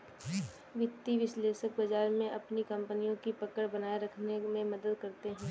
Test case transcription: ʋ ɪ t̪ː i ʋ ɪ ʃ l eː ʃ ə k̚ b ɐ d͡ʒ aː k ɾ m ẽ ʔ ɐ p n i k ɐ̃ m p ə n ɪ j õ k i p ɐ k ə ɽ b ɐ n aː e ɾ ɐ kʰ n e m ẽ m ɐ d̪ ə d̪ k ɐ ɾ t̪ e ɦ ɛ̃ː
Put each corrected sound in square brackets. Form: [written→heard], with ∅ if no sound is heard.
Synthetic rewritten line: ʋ ɪ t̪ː i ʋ ɪ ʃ l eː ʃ ə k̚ b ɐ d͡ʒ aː [k→∅] ɾ m ẽ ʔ ɐ p n i k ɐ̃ m p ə n [ɪ→i] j õ k i p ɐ k ə ɽ b ɐ n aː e ɾ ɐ kʰ n e m ẽ m ɐ d̪ ə d̪ k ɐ ɾ t̪ e ɦ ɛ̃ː